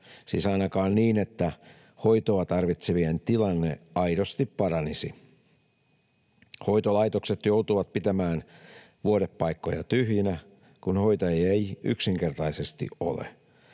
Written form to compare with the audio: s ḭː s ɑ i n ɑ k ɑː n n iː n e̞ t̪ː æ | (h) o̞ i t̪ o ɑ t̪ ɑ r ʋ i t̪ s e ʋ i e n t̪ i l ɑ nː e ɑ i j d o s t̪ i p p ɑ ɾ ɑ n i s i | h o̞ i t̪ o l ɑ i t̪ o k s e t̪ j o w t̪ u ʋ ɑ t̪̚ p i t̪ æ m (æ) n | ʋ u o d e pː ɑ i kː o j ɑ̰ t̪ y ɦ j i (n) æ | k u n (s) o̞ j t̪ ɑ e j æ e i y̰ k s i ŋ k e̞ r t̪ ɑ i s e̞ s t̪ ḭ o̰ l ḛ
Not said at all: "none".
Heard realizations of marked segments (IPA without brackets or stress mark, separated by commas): h, æː, n, h